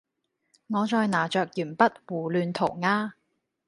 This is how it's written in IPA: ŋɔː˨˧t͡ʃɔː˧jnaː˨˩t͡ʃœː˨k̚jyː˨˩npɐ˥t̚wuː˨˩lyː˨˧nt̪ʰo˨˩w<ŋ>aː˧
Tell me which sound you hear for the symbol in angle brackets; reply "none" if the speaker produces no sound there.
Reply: ŋ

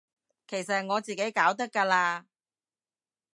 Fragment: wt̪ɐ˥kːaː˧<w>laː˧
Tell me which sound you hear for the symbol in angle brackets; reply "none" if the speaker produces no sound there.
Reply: none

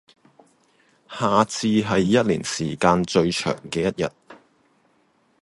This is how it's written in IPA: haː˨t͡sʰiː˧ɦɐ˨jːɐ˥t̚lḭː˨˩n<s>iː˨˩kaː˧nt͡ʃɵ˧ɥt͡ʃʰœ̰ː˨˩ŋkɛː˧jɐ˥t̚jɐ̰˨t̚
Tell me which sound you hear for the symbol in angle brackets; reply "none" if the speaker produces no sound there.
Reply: s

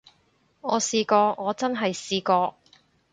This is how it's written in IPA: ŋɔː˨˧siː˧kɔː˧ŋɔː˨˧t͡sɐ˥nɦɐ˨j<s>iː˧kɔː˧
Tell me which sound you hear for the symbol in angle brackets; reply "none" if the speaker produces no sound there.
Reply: s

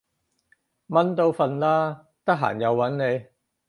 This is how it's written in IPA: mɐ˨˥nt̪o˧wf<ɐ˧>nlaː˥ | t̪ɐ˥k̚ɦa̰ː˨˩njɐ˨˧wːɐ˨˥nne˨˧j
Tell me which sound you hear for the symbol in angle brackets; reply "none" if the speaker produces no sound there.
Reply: ɐ˧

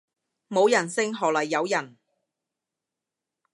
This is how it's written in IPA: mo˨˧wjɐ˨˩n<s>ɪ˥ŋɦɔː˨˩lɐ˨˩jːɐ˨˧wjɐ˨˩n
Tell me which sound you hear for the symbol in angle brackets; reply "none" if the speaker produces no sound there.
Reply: s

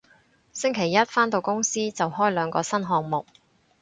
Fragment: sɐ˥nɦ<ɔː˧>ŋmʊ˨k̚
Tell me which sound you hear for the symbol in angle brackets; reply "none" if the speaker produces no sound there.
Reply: ɔː˧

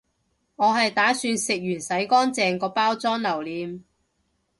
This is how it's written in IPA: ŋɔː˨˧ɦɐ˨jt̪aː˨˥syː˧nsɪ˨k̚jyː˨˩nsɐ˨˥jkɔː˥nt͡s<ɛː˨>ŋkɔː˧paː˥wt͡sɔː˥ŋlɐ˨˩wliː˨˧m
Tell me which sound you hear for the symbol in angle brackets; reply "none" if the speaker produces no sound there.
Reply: ɛː˨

